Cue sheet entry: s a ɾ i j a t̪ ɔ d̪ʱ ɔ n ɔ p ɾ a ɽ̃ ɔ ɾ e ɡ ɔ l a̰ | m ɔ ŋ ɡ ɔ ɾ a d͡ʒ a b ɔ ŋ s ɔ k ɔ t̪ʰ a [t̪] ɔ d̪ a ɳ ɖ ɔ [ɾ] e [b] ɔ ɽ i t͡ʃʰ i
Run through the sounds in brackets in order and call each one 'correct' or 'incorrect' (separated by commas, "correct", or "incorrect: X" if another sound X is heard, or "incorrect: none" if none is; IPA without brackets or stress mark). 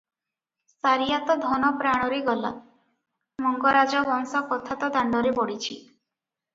correct, correct, correct